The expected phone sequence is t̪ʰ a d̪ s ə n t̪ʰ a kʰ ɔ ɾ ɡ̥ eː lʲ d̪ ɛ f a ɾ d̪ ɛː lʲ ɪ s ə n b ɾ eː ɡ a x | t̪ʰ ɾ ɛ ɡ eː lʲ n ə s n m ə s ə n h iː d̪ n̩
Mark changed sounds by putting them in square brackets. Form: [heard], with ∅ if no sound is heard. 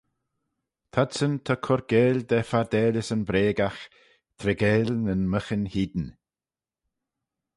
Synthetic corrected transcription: t̪ʰ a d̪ s ə n t̪ʰ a kʰ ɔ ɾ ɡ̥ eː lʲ d̪ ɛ f a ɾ d̪ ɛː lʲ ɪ s ə n b ɾ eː ɡ a x | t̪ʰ ɾ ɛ ɡ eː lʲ n ə [∅] n m ə [x] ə n h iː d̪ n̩

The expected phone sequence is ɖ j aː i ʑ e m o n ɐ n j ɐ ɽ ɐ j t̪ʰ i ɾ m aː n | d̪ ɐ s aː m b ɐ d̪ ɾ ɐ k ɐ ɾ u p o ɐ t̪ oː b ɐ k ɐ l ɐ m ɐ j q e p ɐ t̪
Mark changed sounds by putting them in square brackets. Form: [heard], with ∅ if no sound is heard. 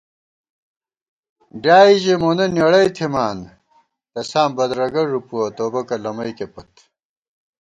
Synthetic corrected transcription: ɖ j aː i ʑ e m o n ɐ n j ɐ ɽ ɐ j t̪ʰ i [∅] m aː n | [t̪] ɐ s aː m b ɐ d̪ ɾ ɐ [ɡ] ɐ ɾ u p [u] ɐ t̪ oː b ɐ k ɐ l ɐ m ɐ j [k] e p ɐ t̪

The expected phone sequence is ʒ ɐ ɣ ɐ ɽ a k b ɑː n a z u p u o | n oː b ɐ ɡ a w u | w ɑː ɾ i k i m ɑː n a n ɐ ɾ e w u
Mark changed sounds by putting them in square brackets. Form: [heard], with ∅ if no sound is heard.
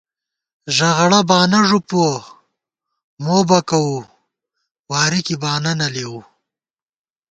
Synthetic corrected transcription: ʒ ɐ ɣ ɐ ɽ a [∅] b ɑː n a [ʐ] u p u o | [m] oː b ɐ [k] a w u | w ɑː ɾ i k i [b] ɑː n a n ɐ [l] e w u

